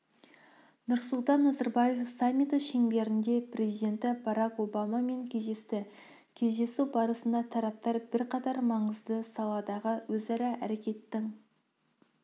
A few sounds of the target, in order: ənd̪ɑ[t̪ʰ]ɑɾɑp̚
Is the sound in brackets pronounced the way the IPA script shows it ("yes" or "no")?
yes